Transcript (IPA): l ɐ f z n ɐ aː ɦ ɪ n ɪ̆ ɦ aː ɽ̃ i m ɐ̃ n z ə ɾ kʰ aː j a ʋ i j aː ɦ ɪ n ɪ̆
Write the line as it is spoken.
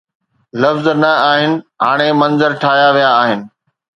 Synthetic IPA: l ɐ f z n ɐ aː ɦ ɪ n ɪ̆ ɦ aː ɽ̃ e m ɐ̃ n z ə ɾ ʈʰ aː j a ʋ i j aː ɦ ɪ n ɪ̆